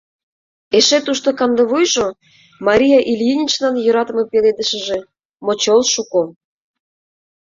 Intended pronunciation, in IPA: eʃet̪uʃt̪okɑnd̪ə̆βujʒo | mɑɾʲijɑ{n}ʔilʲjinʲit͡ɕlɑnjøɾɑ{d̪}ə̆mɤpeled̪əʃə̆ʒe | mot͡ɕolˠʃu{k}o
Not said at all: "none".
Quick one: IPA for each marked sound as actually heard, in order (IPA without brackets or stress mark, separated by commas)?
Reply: none, t̪, k